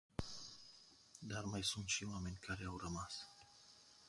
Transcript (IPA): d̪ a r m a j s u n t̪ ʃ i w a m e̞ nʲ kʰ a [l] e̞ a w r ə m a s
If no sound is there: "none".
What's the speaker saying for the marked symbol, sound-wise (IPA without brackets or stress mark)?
ɾ